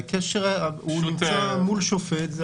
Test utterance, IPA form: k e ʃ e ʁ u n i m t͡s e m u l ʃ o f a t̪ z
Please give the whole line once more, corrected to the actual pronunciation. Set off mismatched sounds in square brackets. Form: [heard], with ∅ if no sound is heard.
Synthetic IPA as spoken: k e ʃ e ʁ u n i m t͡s [a] m u l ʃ o f [e] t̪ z